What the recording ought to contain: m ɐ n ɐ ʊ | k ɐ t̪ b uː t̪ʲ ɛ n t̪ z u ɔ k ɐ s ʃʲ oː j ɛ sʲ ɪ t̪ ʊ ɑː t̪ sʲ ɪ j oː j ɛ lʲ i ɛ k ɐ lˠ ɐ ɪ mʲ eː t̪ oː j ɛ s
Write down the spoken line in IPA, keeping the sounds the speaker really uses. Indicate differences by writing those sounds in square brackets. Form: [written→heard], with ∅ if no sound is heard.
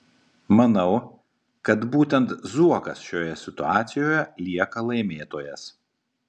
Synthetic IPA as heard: m ɐ n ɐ ʊ | k ɐ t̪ b uː t̪ʲ ɛ n t̪ z u ɔ k ɐ s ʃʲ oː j ɛ sʲ ɪ t̪ ʊ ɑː t̪ sʲ ɪ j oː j ɛ lʲ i ɛ k ɐ lˠ ɐ ɪ mʲ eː t̪ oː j ɛ s